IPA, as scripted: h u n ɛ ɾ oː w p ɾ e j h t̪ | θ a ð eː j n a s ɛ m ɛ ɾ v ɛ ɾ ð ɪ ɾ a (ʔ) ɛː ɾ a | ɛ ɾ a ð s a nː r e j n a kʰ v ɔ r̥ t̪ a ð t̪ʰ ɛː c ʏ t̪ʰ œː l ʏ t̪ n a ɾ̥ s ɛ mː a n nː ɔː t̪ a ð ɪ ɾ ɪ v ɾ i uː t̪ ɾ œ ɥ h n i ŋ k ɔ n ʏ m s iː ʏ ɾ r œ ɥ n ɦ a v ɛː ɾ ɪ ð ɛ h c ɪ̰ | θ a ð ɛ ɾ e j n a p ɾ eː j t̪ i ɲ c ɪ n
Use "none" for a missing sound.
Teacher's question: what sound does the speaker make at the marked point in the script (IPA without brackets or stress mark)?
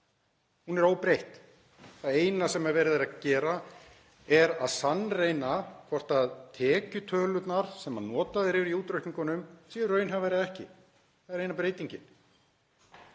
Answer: c